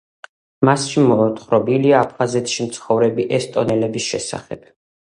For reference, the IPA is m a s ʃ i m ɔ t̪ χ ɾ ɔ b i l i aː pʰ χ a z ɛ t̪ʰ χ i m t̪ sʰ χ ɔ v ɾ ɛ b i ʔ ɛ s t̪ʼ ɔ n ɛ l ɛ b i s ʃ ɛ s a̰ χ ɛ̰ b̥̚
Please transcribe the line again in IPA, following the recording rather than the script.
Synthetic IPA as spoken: m a s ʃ i m ɔ t̪ χ ɾ ɔ b i l i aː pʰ χ a z ɛ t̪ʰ ʃ i m t̪ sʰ χ ɔ v ɾ ɛ b i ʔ ɛ s t̪ʼ ɔ n ɛ l ɛ b i s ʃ ɛ s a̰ χ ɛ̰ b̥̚

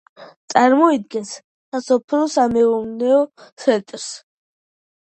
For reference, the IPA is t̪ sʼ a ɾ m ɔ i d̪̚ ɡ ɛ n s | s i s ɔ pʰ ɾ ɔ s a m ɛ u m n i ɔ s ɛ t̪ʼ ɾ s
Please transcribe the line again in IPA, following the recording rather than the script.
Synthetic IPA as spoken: t̪ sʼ a ɾ m ɔ i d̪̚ ɡ ɛ n s | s a s ɔ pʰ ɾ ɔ s a m ɛ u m n ɛ ɔ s ɛ t̪ʼ ɾ s

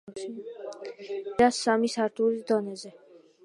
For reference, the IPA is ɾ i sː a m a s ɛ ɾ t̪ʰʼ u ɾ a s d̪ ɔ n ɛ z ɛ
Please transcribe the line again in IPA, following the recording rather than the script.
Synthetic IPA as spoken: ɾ a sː a m i s a ɾ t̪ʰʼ u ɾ i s d̪ ɔ n ɛ z ɛ

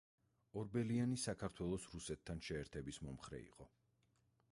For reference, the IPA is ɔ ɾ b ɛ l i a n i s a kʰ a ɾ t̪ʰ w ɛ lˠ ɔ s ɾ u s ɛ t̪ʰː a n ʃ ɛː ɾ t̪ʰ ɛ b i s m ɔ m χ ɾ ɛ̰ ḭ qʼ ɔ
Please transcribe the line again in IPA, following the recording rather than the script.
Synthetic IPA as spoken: ɔ ɾ b ɛ l i a n i s a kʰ a ɾ t̪ʰ w ɛ lˠ ɔ s ɾ u s ɛ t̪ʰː a n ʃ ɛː ɾ t̪ʰ ɛ b i s m ɔ m χ ɾ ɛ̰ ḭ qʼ ɔ

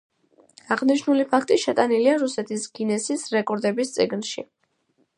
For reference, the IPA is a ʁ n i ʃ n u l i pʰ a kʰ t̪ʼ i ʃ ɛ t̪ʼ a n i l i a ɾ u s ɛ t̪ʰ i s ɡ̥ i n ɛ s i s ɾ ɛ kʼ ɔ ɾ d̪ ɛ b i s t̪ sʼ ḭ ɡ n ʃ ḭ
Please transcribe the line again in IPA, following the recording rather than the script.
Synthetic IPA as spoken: a ʁ n i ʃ n u l i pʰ a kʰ t̪ʼ i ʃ ɛ t̪ʼ a n i l i a ɾ u s ɛ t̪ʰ i s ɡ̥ i n ɛ s i s ɾ ɛ kʼ ɔ ɾ d̪ ɛ b i s t̪ sʼ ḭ ɡ n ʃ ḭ

